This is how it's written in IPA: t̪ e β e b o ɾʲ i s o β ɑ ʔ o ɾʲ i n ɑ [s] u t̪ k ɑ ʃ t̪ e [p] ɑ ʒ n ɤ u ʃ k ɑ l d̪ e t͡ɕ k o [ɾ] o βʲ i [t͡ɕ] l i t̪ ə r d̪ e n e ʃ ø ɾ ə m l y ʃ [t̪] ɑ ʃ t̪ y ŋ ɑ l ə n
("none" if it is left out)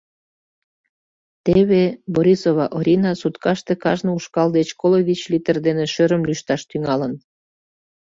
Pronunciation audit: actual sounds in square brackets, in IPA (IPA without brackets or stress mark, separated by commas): s, k, l, t͡ɕ, t̪